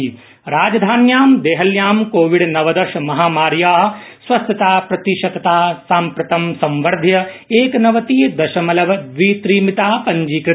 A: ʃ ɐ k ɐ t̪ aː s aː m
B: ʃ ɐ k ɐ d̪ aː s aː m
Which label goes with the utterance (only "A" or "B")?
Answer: A